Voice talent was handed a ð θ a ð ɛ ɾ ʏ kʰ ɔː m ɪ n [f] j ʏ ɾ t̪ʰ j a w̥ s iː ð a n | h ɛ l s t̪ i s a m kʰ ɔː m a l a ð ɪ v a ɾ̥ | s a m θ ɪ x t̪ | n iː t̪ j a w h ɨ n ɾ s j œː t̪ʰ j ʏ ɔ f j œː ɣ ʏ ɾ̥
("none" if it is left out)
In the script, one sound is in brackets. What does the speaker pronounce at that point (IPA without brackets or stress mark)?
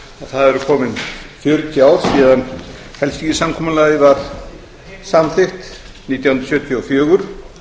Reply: f